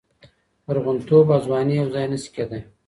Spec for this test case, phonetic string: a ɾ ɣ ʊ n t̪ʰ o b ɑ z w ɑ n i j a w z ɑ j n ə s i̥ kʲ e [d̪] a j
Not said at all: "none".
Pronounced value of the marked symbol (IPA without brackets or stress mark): d̪